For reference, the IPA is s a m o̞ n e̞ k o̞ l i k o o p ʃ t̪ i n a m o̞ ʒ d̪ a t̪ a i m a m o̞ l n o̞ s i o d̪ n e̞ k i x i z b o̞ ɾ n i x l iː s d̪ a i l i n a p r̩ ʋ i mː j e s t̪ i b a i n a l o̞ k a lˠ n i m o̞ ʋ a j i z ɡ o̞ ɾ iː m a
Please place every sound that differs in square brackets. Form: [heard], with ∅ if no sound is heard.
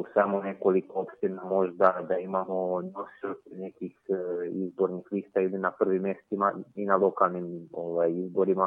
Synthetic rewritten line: s a m o̞ n e̞ k o̞ l i k o o p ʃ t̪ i n a m o̞ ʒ d̪ a [d̪] a i m a m o̞ [∅] n o̞ s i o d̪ n e̞ k i x i z b o̞ ɾ n i x l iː s [t̪] a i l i n a p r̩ ʋ i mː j e s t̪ i [m] a i n a l o̞ k a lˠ n i m o̞ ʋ a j i z [b] o̞ ɾ [i] m a